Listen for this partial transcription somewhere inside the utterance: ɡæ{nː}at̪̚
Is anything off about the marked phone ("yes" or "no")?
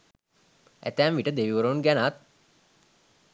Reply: yes